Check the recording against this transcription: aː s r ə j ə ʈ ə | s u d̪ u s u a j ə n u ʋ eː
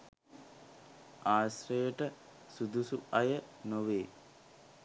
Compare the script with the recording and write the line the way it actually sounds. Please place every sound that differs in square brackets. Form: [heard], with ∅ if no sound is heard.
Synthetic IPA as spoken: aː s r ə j ə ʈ ə | s u d̪ u s u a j ə n [o] ʋ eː